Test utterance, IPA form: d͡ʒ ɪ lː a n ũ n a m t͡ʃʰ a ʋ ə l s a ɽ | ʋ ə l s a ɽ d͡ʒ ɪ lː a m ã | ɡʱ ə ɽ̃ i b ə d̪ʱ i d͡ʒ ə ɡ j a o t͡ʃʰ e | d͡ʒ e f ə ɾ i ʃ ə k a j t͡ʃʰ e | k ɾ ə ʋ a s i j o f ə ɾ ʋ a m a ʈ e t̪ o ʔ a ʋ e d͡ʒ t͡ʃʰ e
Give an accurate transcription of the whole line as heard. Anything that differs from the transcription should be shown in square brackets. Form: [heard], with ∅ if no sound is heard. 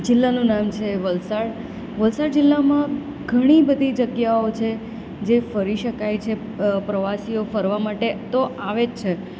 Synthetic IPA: d͡ʒ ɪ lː a n ũ n a m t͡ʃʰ [e] ʋ ə l s a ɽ | ʋ ə l s a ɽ d͡ʒ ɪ lː a m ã | ɡʱ ə ɽ̃ i b ə d̪ʱ i d͡ʒ ə ɡ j a o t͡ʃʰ e | d͡ʒ e f ə ɾ i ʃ ə k a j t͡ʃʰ e | [p] ɾ ə ʋ a s i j o f ə ɾ ʋ a m a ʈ e t̪ o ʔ a ʋ e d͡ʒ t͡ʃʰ e

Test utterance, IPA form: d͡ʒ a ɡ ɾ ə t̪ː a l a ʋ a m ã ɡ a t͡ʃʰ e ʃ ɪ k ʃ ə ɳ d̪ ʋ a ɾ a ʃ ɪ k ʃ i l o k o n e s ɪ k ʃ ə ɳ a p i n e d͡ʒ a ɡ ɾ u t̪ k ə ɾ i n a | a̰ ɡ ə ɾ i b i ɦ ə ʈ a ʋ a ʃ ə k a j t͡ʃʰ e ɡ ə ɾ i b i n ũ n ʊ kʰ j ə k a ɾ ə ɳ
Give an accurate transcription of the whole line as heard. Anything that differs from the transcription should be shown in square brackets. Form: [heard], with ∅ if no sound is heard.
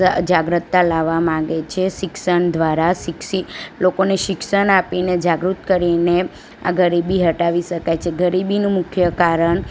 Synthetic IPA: d͡ʒ a ɡ ɾ ə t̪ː a l a ʋ a m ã ɡ [e] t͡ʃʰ e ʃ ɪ k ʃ ə ɳ d̪ ʋ a ɾ a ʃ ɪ k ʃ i l o k o n e [ʃ] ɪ k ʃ ə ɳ a p i n e d͡ʒ a ɡ ɾ u t̪ k ə ɾ i n [e] | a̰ ɡ ə ɾ i b i ɦ ə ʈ a ʋ [i] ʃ ə k a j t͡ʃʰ e ɡ ə ɾ i b i n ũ [m] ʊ kʰ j ə k a ɾ ə ɳ

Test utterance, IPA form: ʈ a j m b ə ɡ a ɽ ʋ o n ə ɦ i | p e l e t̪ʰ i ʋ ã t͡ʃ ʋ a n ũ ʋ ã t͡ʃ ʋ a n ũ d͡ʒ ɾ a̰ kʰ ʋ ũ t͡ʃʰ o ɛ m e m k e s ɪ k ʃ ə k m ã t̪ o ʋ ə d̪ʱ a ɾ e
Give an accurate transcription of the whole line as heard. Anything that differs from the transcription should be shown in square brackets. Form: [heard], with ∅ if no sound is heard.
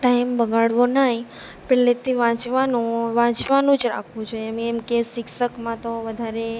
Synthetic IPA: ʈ a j m b ə ɡ a ɽ ʋ o n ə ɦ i | p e l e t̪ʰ i ʋ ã t͡ʃ ʋ a n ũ ʋ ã t͡ʃ ʋ a n ũ d͡ʒ ɾ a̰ kʰ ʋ ũ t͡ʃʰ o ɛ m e m k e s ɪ k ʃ ə k m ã t̪ o ʋ ə d̪ʱ a ɾ e

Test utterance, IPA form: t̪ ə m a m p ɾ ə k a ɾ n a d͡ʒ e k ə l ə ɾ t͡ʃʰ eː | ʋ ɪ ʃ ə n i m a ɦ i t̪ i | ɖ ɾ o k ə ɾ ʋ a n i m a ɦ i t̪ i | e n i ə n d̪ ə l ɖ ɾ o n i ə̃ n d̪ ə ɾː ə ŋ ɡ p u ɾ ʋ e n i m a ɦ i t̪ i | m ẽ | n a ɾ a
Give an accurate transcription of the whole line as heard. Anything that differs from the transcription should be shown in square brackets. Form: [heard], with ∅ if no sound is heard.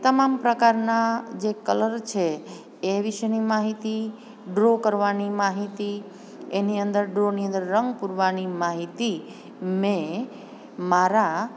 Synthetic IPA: t̪ ə m a m p ɾ ə k a ɾ n a d͡ʒ e k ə l ə ɾ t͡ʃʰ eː | ʋ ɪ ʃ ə n i m a ɦ i t̪ i | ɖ ɾ o k ə ɾ ʋ a n i m a ɦ i t̪ i | e n i ə n d̪ ə [ɾ] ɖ ɾ o n i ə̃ n d̪ ə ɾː ə ŋ ɡ p u ɾ ʋ [a] n i m a ɦ i t̪ i | m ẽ | [m] a ɾ a

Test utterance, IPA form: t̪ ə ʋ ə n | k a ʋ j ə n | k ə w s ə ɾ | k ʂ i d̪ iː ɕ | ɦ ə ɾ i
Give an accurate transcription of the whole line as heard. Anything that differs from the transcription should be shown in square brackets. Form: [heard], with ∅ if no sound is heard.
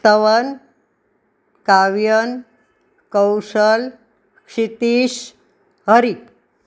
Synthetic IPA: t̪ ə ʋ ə n | k a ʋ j ə n | k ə w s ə [l] | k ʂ i [t̪] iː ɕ | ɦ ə ɾ i

